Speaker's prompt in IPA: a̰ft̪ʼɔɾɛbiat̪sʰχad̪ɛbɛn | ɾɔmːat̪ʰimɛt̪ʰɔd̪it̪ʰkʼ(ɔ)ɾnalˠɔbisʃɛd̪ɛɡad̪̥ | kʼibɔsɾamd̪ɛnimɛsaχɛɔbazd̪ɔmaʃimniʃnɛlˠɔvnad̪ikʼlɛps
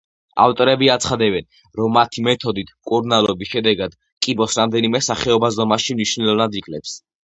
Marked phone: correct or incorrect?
incorrect